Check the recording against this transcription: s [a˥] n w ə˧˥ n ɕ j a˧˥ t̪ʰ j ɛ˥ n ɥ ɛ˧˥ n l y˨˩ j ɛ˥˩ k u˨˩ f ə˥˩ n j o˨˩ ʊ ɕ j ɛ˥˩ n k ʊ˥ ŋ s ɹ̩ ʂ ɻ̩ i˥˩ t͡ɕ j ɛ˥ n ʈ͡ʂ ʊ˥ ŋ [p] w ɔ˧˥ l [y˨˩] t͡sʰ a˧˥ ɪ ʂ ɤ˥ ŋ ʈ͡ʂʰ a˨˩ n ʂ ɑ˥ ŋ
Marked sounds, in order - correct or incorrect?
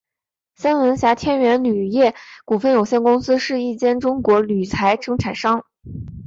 correct, incorrect, correct

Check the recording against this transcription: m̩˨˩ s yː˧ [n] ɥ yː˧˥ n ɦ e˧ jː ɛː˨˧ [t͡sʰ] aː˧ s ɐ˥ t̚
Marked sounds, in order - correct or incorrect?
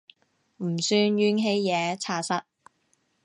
correct, correct

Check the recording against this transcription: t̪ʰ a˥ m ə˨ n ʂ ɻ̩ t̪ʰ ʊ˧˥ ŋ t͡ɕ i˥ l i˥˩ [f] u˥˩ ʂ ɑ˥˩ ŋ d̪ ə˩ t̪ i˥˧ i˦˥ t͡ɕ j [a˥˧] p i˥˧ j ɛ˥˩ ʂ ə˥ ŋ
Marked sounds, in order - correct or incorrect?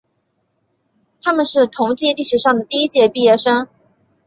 incorrect, incorrect

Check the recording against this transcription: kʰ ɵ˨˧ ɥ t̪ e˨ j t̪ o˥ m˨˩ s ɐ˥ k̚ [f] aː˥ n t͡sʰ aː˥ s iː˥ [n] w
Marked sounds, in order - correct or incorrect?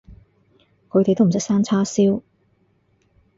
incorrect, incorrect

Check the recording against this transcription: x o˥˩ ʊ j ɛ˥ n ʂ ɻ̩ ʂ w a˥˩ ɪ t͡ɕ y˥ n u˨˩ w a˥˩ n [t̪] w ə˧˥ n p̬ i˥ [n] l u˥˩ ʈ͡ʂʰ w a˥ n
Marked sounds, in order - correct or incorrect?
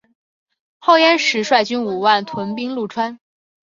incorrect, incorrect

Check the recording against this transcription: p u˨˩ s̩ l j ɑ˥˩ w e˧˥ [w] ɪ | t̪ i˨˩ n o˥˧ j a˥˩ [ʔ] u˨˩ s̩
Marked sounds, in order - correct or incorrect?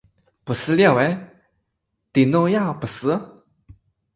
incorrect, incorrect

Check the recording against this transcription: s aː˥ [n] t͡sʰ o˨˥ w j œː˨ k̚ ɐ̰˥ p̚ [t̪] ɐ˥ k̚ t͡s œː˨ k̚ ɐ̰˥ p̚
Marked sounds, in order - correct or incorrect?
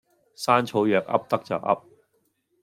correct, correct

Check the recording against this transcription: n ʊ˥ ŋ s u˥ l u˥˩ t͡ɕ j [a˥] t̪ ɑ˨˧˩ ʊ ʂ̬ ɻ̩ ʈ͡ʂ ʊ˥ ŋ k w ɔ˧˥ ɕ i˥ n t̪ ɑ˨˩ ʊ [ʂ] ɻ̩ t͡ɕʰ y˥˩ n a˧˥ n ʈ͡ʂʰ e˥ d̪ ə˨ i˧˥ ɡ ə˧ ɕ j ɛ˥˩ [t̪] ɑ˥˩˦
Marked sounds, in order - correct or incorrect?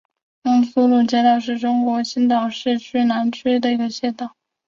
incorrect, correct, correct

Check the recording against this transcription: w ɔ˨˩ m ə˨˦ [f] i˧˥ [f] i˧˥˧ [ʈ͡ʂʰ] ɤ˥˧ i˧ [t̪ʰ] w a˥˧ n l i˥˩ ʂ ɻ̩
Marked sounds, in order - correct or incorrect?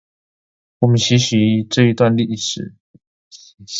incorrect, incorrect, incorrect, incorrect

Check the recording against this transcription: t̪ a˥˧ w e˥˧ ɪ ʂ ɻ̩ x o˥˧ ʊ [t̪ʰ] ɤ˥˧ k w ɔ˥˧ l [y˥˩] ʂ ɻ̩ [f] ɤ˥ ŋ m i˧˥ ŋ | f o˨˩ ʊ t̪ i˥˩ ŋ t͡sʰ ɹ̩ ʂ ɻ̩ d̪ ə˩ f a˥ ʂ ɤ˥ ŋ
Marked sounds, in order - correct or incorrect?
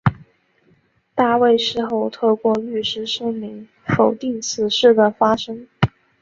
correct, correct, incorrect

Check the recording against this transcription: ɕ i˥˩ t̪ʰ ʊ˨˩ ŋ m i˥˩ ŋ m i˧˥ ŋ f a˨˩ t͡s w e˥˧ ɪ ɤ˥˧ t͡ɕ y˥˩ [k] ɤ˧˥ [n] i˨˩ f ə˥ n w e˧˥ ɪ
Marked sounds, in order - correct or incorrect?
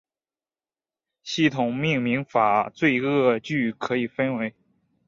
incorrect, incorrect

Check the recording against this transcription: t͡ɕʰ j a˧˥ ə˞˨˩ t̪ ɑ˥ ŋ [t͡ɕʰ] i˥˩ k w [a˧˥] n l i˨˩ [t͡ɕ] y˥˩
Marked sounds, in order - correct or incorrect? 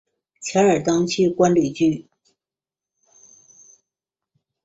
correct, incorrect, correct

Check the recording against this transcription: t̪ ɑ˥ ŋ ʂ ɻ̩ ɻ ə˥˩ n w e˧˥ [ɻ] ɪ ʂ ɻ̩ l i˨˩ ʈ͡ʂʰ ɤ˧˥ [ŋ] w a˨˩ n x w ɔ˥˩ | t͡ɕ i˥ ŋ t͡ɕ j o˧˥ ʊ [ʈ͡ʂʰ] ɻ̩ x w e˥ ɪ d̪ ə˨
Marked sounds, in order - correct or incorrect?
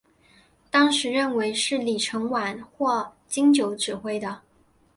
incorrect, correct, incorrect

